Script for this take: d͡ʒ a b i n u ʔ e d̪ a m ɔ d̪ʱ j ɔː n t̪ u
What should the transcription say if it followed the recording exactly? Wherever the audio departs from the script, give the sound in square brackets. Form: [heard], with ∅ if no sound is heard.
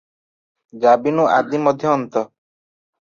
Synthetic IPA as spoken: d͡ʒ a b i n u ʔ [a] d̪ [i] m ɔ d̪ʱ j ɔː n t̪ [ɔ]